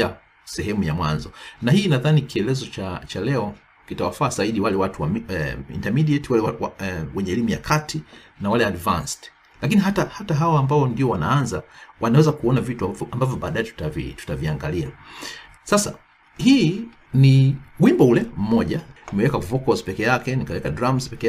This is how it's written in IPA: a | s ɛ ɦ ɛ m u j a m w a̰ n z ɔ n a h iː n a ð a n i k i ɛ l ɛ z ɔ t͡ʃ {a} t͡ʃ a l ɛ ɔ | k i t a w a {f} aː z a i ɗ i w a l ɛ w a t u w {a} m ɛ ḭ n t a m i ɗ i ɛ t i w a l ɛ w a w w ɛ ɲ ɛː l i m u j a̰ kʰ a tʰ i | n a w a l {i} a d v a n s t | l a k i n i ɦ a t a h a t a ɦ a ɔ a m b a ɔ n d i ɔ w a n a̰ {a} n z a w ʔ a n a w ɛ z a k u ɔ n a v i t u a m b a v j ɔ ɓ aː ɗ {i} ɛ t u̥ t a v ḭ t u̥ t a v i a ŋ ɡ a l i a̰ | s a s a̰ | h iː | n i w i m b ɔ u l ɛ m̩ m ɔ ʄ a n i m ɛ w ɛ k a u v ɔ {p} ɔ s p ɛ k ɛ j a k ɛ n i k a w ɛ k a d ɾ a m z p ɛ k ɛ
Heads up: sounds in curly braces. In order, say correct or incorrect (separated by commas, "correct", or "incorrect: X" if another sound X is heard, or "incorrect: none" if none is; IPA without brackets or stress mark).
correct, correct, correct, incorrect: ɛ, correct, incorrect: a, incorrect: k